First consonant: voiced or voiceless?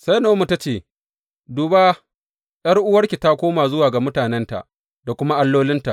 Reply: voiceless